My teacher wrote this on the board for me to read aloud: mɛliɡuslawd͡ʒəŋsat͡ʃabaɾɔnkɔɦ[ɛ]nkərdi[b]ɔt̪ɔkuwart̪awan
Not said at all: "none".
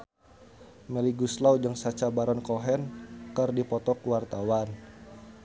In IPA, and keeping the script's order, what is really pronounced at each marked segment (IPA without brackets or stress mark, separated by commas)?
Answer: ɛ, p